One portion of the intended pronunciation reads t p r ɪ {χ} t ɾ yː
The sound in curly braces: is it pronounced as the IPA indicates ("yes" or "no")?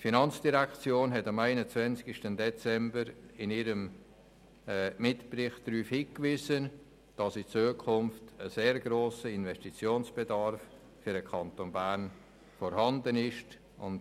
yes